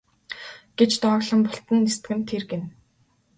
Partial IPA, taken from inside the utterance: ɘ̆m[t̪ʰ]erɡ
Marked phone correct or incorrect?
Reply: correct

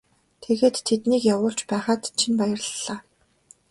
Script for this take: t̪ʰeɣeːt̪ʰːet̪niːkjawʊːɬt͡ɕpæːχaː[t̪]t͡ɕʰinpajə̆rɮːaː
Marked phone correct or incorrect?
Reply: correct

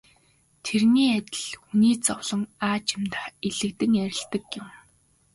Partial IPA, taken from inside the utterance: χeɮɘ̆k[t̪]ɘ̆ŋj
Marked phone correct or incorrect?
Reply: correct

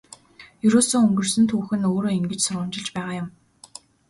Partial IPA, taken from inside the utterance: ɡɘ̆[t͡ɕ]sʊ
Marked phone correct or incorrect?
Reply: correct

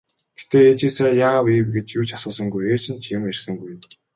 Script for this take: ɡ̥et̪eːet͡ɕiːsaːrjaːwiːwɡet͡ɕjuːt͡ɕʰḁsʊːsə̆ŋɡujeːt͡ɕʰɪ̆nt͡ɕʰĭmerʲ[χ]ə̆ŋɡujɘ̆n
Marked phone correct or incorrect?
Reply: incorrect: s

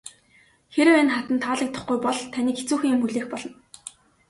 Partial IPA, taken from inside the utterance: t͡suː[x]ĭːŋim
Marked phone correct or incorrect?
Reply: correct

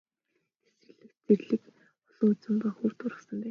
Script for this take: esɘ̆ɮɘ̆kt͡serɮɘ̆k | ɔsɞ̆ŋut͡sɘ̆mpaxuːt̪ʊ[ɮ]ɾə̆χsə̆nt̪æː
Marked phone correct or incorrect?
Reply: incorrect: none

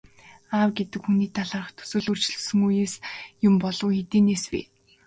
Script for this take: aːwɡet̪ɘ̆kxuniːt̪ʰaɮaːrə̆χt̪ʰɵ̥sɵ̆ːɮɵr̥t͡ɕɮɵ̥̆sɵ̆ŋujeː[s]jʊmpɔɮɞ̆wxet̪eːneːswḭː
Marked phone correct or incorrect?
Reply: correct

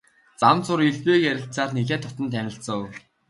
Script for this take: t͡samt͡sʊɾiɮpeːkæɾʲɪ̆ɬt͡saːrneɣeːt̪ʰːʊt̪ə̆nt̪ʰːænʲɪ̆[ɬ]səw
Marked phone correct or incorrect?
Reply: correct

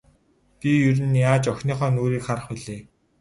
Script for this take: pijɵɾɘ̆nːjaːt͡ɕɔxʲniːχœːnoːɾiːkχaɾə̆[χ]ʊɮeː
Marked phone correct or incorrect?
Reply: correct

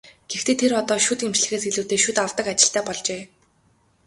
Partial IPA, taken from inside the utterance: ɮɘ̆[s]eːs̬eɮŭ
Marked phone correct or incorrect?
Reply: incorrect: x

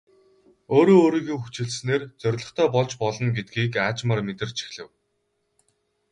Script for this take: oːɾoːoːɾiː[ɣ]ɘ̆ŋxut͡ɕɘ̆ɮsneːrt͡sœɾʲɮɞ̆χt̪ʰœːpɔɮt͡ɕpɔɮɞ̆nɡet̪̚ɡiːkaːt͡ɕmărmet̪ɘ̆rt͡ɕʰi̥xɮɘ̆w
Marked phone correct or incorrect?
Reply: correct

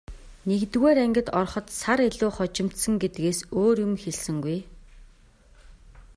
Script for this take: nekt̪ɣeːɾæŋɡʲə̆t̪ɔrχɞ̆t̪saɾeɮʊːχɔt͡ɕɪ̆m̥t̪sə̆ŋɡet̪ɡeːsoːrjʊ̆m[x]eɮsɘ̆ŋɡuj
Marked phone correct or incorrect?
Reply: correct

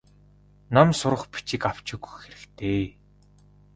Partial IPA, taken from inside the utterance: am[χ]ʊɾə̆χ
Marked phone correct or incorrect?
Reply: incorrect: s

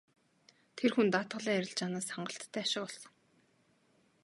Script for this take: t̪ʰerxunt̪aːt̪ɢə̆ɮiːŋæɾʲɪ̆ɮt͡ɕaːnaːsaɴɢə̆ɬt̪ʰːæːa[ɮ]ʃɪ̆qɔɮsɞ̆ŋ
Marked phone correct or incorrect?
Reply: incorrect: none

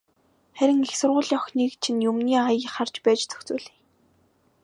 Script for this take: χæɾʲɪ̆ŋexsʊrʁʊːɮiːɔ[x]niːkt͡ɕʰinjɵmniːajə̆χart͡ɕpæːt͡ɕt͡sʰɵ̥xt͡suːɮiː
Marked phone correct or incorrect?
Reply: correct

